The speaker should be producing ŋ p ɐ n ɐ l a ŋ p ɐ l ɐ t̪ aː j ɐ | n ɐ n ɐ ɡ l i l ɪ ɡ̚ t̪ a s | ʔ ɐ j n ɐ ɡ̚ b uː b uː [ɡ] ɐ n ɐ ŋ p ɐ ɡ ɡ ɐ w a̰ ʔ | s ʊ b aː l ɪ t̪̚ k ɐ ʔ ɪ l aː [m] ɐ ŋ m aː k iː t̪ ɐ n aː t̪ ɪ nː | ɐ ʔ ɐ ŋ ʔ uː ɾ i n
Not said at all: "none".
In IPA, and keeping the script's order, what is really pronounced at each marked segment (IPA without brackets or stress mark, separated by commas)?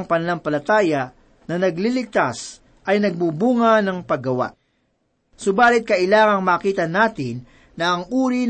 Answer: ŋ, ŋ